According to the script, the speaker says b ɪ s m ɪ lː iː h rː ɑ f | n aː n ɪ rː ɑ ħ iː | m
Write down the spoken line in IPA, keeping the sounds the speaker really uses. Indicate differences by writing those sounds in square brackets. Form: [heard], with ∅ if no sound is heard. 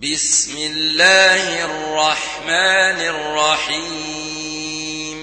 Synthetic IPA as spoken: b ɪ s m ɪ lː [aː] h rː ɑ [ħ] | [m] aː n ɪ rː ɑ ħ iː | m